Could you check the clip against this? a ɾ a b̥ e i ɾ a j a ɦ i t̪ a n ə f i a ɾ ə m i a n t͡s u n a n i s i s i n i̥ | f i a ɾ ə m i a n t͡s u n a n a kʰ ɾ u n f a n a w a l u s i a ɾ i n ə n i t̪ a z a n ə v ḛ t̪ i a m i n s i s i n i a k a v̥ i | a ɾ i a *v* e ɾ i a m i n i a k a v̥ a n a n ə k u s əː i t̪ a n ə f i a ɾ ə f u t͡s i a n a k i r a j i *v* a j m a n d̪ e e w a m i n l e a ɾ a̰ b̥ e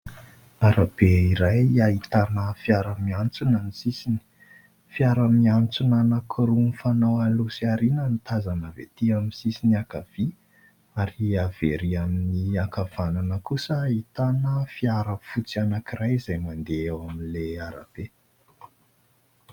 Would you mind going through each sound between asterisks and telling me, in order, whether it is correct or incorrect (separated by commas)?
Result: correct, incorrect